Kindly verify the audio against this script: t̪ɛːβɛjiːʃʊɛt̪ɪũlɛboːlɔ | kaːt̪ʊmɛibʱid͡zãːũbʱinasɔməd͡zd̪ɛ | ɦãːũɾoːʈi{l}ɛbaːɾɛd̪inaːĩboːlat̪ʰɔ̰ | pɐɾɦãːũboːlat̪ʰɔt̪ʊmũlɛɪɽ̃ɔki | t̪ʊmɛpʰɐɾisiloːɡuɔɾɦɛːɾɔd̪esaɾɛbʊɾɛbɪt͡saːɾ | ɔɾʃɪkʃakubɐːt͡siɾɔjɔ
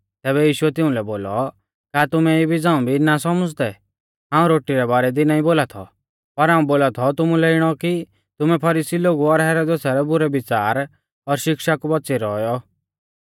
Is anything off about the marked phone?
yes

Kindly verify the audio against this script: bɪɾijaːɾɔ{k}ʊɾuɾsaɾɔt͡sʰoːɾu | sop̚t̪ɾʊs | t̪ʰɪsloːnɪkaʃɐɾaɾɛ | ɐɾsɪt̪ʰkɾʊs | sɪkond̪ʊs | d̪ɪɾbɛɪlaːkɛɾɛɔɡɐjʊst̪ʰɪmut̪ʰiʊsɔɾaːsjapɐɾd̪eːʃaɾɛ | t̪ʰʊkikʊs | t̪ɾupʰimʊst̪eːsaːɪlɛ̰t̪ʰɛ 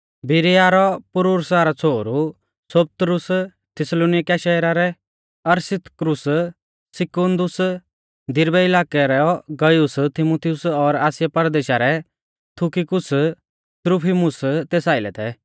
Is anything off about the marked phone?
yes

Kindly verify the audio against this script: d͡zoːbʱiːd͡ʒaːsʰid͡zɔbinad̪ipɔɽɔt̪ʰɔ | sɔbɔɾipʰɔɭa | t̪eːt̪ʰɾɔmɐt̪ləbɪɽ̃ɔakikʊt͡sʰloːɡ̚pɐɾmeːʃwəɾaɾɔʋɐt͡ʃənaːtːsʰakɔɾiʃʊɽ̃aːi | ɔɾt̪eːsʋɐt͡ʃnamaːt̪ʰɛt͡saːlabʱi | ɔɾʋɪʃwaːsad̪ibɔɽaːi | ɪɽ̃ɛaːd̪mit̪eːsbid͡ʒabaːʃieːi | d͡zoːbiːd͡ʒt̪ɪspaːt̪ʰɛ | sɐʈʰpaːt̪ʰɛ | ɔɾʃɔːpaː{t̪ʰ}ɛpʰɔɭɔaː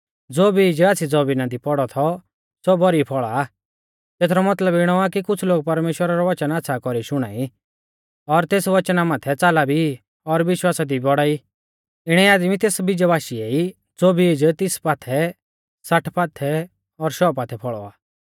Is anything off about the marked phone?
no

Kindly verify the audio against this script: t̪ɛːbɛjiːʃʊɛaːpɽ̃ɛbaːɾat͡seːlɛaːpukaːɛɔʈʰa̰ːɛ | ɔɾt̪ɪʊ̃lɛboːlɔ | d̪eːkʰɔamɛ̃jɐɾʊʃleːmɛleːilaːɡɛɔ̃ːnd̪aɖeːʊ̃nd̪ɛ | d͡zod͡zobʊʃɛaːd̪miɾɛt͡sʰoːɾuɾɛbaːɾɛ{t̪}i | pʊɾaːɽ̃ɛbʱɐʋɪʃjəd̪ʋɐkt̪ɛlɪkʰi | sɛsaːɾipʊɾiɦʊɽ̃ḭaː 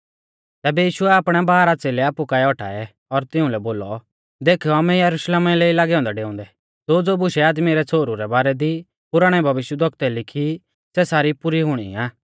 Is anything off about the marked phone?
yes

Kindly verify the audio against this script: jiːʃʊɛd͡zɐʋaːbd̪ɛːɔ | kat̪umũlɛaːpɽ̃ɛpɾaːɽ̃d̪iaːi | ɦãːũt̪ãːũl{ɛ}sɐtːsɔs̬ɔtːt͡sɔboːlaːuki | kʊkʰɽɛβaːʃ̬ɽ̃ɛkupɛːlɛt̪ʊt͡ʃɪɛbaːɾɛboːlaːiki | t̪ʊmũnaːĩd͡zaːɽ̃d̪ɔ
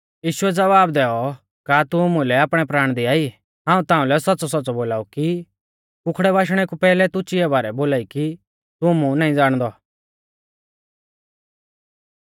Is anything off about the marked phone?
no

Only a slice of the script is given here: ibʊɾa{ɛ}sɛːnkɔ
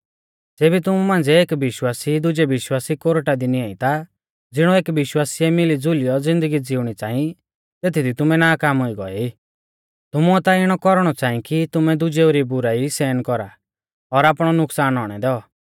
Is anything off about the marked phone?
yes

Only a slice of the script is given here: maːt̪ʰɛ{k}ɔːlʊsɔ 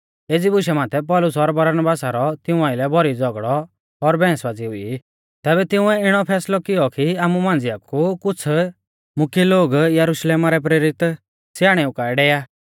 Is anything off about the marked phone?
yes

